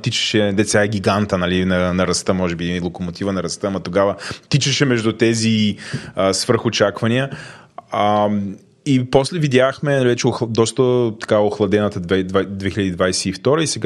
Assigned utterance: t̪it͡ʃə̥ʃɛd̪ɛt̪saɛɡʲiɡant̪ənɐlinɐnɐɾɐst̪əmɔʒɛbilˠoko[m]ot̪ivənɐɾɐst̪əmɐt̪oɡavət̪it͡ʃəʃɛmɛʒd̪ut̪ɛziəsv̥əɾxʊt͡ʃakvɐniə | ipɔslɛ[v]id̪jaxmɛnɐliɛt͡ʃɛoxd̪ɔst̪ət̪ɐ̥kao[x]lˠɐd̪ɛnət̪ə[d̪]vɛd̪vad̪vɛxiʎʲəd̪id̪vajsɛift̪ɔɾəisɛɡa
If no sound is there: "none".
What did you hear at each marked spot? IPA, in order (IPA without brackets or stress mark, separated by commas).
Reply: m, v, x, d̪